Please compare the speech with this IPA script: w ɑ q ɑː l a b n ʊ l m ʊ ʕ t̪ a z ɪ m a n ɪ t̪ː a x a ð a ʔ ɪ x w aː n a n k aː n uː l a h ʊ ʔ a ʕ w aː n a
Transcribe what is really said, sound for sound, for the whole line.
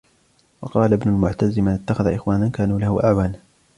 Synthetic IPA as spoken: w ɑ q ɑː l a b n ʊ l m ʊ ʕ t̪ a z ɪ m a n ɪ t̪ː a x a ð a ʔ ɪ x w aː n a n k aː n uː l a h ʊ ʔ a ʕ w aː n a